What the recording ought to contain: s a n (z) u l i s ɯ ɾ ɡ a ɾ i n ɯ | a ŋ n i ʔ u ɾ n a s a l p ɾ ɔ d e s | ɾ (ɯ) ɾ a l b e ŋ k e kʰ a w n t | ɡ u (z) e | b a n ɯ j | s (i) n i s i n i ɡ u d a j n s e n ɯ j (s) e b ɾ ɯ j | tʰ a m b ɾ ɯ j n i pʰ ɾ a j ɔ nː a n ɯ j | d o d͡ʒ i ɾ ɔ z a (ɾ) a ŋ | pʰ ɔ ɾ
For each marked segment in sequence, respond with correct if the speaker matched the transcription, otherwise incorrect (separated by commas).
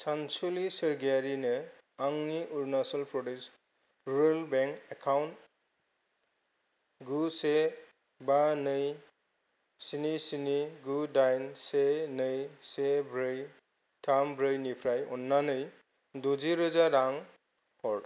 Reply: incorrect, incorrect, incorrect, correct, correct, correct